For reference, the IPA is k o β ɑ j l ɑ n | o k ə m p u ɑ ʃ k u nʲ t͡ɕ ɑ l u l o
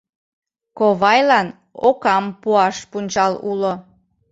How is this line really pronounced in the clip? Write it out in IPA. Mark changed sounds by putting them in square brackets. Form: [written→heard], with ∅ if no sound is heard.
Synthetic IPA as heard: k o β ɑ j l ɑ n | o k [ə→ɑ] m p u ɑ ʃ [k→p] u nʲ t͡ɕ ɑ l u l o